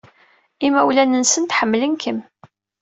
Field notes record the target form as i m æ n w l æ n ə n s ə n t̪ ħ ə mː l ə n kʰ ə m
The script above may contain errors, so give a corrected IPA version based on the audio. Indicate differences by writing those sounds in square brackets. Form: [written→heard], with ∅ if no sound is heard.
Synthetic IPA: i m æ [n→∅] w l æ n ə n s ə n t̪ ħ ə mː l ə n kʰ ə m